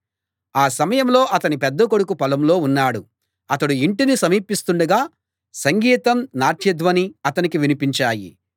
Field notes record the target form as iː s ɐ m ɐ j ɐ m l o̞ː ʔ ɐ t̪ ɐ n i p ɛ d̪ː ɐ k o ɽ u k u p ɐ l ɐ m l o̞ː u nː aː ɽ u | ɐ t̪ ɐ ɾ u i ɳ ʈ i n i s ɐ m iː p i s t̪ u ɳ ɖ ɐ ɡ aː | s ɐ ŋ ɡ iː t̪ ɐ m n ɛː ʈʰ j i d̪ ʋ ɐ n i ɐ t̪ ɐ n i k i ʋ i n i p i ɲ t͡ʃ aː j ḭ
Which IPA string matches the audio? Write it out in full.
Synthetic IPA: aː s ɐ m ɐ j ɐ m l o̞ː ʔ ɐ t̪ ɐ n i p ɛ d̪ː ɐ k o ɽ u k u p ɐ l ɐ m l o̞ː u nː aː ɽ u | ɐ t̪ ɐ ɽ u i ɳ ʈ i n i s ɐ m iː p i s t̪ u ɳ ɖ ɐ ɡ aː | s ɐ ŋ ɡ iː t̪ ɐ m n aː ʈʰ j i d̪ ʋ ɐ n i ɐ t̪ ɐ n i k i ʋ i n i p i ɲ t͡ʃ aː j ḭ